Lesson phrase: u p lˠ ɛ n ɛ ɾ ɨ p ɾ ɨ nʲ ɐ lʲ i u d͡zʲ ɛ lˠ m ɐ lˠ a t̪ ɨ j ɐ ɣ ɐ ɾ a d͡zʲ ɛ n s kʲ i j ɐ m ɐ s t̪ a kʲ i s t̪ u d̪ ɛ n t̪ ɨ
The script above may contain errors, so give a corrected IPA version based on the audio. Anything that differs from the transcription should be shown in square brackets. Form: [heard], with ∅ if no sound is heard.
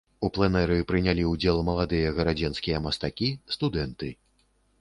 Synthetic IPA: u p lˠ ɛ n ɛ ɾ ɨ p ɾ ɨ nʲ [a] lʲ i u d͡zʲ ɛ lˠ m ɐ lˠ a [d̪] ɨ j ɐ ɣ ɐ ɾ a d͡zʲ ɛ n s kʲ i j ɐ m ɐ s t̪ a kʲ i s t̪ u d̪ ɛ n t̪ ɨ